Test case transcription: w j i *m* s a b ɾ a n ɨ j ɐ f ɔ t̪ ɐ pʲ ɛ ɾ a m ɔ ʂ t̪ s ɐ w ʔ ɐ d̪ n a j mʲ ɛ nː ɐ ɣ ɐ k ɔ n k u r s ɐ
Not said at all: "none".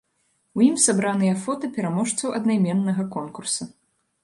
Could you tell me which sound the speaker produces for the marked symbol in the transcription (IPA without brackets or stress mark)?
m